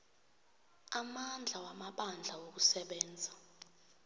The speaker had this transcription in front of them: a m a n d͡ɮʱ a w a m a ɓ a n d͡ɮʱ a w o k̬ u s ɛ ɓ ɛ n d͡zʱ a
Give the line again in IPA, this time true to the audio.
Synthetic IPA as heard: a m a n d͡ɮʱ a w a m a ɓ a n d͡ɮʱ a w o k̬ u s ɛ ɓ ɛː n d͡zʱ a